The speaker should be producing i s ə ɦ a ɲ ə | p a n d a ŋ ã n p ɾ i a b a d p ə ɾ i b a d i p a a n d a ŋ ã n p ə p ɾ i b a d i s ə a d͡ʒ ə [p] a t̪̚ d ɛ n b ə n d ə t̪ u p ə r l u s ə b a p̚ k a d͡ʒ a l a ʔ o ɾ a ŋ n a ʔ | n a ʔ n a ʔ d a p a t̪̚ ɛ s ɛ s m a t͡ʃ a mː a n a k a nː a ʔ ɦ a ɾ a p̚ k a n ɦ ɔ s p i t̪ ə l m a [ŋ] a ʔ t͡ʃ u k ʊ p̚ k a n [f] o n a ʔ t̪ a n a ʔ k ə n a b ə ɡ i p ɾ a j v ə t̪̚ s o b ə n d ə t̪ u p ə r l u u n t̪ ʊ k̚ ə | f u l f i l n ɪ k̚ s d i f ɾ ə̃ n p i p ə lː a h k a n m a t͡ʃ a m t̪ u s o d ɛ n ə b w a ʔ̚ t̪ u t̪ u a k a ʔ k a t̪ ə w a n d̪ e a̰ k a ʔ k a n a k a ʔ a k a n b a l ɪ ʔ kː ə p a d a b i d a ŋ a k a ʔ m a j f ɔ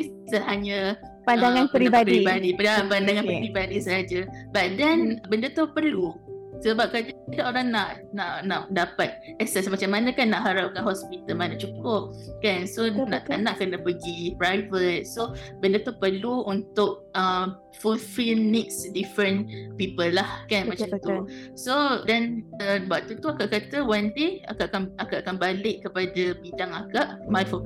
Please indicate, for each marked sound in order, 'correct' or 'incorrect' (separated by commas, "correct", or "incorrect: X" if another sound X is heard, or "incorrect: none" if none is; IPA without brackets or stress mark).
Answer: incorrect: b, incorrect: n, incorrect: s